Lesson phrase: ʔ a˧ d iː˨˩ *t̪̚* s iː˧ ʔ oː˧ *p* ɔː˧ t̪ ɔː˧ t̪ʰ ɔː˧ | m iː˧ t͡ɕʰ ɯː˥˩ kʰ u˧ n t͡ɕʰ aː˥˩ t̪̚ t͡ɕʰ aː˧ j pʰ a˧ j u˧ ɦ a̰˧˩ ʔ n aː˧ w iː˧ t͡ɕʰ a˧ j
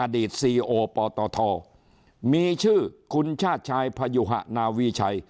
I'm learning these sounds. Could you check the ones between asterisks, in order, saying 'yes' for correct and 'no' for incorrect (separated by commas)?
yes, yes